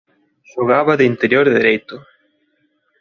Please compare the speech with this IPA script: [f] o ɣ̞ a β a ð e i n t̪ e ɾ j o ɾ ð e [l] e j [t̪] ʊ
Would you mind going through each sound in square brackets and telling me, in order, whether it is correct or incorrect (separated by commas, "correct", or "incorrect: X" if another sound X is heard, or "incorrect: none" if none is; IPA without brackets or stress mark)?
incorrect: ʃ, incorrect: ɾ, correct